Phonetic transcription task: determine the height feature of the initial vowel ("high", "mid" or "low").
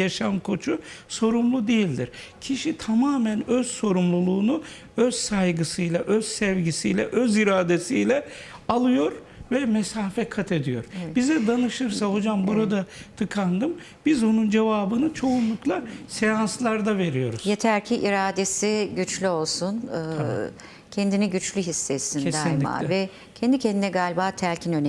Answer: low